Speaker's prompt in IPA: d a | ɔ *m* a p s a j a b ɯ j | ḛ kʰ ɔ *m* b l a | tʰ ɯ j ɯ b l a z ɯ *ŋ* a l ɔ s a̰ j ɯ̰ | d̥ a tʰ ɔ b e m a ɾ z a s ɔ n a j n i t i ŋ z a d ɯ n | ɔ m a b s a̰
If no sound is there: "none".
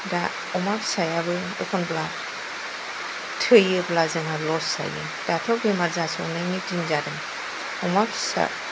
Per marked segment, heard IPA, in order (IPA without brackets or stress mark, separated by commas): m, n, ŋ